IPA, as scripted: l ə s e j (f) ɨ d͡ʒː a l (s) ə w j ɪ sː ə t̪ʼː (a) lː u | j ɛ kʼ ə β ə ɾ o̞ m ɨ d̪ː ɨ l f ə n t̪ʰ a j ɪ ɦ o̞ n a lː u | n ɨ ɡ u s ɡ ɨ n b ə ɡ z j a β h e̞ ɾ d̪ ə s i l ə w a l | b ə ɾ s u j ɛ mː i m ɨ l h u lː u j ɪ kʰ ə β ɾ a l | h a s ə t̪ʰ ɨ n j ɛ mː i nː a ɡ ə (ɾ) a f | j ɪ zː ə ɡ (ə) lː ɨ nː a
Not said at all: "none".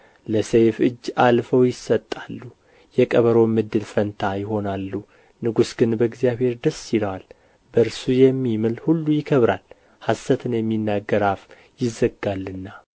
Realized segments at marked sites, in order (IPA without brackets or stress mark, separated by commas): f, f, a, ɾ, a